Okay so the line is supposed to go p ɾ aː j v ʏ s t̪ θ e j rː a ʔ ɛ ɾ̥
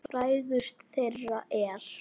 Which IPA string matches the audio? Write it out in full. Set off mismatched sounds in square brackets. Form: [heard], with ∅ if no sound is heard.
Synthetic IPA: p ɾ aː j [ð] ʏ s t̪ θ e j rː a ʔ ɛ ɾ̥